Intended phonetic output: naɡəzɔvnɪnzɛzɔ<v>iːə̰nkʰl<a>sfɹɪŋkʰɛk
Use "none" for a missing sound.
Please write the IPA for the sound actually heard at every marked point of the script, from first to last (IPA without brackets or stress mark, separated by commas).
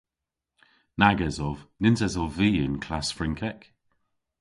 v, a